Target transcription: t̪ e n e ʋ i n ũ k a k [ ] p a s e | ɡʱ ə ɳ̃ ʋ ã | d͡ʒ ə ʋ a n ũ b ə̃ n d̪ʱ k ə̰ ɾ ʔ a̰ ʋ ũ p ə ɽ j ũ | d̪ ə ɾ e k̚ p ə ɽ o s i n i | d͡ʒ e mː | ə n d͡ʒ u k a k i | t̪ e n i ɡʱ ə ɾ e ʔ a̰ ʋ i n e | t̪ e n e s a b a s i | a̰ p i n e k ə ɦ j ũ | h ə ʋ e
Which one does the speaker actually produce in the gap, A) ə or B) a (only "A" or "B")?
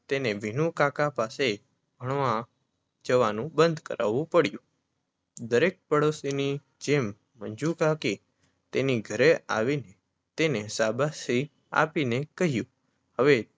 B